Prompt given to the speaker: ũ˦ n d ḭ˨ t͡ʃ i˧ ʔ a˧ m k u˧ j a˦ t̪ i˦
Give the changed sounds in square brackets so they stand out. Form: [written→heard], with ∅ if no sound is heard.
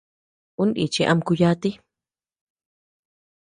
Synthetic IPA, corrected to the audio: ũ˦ n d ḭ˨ t͡ʃ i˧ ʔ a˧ m k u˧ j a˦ t̪ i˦